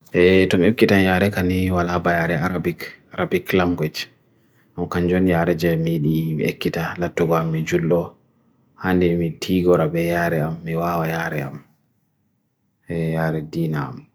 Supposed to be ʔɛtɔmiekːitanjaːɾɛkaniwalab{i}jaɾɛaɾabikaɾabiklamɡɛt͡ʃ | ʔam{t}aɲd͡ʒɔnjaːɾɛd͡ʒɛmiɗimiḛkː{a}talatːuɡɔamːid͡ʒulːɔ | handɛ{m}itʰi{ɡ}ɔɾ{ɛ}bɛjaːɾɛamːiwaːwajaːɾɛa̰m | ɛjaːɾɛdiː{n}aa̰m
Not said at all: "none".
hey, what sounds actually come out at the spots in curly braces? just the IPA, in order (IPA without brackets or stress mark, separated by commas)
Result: a, k, i, m, ɡ, a, n